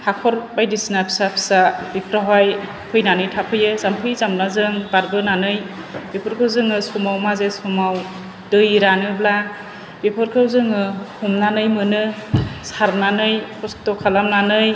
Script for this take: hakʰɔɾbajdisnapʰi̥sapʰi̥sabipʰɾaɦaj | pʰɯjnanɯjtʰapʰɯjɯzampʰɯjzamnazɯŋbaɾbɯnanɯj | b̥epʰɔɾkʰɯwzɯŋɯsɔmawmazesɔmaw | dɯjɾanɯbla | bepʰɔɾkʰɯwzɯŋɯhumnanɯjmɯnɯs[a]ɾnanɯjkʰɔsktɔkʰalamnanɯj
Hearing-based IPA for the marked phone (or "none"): a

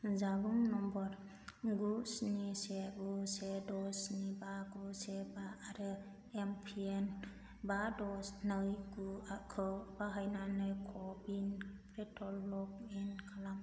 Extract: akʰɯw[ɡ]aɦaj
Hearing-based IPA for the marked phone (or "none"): b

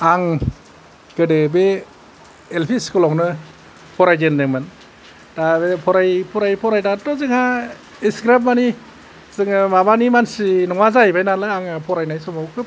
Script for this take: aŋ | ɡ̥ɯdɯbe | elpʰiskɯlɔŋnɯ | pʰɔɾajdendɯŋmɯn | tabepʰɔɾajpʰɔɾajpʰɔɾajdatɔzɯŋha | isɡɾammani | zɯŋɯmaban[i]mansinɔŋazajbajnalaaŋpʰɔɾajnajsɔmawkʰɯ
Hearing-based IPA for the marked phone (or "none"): i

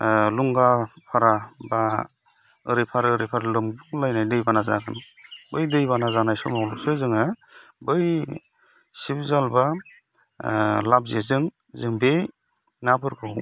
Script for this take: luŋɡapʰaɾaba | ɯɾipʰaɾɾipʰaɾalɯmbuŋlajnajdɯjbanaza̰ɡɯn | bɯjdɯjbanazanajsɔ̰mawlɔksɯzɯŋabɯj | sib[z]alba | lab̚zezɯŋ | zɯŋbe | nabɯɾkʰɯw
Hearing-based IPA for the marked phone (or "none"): z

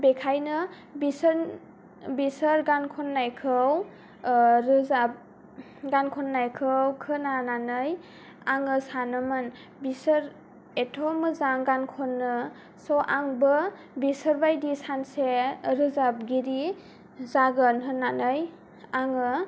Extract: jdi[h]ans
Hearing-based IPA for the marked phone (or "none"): s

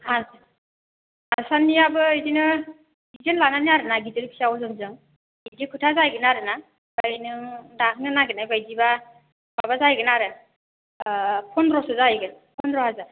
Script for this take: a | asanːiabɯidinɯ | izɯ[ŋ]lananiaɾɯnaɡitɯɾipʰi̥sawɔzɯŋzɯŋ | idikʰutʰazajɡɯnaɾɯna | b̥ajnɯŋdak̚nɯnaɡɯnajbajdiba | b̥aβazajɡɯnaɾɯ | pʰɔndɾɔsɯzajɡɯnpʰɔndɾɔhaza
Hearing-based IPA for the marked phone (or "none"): n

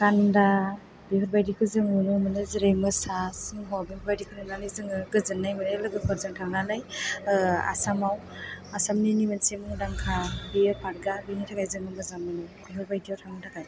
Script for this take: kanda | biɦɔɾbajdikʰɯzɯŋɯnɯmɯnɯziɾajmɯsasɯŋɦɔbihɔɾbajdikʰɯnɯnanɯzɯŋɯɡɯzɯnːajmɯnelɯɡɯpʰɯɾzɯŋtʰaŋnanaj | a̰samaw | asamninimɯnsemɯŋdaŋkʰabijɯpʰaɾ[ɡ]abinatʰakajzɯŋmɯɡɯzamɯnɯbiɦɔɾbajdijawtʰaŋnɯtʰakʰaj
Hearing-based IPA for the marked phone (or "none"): ɡ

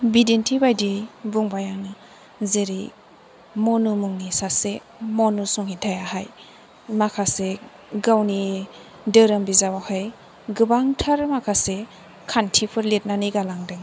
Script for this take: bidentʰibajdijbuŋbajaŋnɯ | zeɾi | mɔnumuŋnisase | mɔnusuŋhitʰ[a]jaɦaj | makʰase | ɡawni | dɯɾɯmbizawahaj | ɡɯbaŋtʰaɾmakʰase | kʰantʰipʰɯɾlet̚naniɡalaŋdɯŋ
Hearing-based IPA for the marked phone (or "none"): a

